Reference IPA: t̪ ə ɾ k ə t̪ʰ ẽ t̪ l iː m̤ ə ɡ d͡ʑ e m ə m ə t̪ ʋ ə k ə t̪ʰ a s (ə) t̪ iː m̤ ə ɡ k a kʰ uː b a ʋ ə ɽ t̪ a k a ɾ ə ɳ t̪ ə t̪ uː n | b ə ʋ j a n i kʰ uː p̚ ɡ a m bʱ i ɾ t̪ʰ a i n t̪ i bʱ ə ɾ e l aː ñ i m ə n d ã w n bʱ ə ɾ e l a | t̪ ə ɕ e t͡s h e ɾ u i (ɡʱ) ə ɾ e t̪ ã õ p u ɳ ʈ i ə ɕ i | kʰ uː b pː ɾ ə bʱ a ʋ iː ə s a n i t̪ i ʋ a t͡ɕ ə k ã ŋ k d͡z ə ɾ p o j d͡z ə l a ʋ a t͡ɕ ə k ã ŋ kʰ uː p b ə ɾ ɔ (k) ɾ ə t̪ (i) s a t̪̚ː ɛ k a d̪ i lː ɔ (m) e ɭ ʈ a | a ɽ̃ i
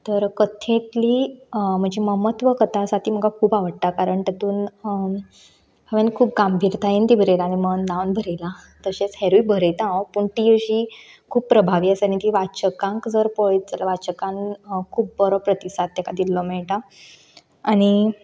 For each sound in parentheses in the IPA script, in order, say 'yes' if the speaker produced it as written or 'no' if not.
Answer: no, no, no, yes, yes

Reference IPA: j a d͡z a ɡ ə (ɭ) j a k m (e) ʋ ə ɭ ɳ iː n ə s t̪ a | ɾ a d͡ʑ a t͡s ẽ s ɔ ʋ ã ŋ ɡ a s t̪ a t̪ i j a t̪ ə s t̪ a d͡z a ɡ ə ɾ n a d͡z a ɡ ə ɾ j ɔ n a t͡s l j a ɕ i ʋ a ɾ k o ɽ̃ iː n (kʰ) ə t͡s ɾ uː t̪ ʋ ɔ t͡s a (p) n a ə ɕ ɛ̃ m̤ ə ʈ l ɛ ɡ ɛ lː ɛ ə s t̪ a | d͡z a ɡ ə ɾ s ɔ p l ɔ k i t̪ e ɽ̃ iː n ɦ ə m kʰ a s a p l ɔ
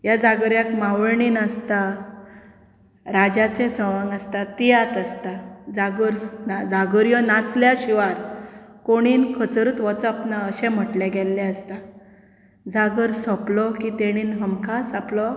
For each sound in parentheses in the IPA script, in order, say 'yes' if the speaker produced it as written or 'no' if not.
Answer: no, no, yes, yes

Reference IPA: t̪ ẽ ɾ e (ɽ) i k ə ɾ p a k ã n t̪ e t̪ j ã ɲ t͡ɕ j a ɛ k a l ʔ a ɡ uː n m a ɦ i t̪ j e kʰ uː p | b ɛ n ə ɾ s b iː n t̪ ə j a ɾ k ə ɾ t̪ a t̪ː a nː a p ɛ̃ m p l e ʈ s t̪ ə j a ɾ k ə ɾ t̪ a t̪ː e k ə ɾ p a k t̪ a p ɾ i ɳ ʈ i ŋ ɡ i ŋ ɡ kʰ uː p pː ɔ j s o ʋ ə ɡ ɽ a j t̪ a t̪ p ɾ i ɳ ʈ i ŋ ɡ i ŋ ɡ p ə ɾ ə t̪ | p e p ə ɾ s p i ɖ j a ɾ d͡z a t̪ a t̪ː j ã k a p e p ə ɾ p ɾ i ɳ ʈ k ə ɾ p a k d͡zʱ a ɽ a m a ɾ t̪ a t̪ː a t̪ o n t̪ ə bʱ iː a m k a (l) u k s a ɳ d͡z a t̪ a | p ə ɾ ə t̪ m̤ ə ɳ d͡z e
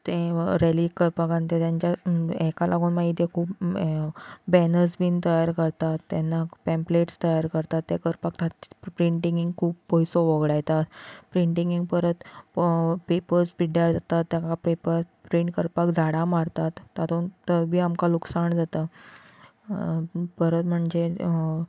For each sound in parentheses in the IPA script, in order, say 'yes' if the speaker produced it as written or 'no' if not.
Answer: no, yes

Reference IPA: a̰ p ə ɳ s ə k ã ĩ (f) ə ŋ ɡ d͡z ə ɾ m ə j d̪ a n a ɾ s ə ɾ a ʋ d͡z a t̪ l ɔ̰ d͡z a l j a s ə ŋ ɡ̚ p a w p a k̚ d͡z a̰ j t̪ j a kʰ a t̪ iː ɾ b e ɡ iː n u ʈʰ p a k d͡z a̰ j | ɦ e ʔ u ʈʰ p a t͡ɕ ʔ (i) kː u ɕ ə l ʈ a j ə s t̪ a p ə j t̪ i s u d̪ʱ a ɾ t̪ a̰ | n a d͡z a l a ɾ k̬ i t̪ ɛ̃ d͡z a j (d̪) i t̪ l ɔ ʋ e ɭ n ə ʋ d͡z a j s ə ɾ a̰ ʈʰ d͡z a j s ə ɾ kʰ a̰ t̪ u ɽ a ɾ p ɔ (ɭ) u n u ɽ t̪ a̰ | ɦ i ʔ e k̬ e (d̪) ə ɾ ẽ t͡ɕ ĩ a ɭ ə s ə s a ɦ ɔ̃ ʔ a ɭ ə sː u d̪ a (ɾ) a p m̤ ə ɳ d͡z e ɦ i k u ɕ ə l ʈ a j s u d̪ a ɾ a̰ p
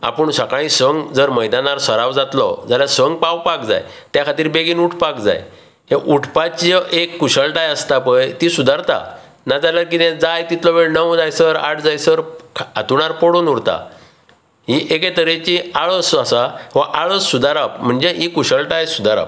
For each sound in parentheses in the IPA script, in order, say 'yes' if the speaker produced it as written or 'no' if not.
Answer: no, no, no, no, no, yes

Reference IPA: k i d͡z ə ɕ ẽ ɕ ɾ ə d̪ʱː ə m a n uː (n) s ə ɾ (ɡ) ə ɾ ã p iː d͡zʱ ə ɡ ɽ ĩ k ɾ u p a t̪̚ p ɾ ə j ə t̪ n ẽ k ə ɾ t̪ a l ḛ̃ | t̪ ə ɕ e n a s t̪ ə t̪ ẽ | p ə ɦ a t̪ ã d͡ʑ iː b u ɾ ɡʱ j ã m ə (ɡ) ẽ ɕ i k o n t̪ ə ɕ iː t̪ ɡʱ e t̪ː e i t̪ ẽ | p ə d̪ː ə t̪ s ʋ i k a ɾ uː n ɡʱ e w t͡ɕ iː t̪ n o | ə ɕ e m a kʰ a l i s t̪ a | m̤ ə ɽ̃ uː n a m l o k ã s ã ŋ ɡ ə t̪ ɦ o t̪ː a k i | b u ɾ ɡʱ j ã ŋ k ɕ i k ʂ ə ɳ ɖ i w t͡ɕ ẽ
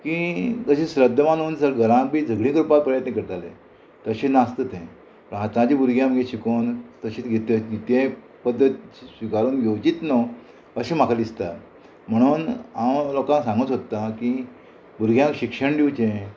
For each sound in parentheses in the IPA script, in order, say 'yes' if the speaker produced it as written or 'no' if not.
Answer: yes, yes, yes

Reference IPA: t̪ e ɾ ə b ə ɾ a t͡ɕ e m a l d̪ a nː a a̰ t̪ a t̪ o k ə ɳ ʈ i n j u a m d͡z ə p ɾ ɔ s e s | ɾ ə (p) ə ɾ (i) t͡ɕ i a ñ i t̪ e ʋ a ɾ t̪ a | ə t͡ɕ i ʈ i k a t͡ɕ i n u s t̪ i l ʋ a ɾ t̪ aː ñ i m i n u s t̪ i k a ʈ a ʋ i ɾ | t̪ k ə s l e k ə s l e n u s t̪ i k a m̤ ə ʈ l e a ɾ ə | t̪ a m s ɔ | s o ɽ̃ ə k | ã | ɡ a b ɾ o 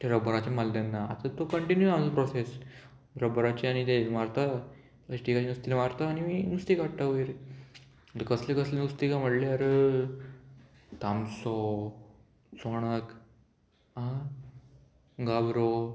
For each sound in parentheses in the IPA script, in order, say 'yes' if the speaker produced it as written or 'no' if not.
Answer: no, no

